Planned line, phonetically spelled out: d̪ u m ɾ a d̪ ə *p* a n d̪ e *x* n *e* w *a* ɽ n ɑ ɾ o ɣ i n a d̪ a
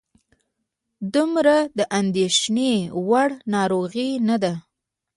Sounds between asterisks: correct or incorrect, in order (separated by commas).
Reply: incorrect, incorrect, correct, correct